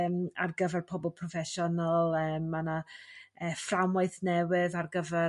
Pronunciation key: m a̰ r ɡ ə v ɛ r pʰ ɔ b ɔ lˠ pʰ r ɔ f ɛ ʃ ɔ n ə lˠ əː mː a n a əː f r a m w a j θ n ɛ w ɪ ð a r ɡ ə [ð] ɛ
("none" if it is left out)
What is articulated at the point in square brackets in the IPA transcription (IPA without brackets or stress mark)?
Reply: v